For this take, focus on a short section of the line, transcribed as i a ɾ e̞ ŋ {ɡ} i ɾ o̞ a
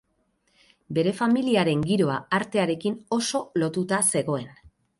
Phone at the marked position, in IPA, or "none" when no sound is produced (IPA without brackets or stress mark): ɡ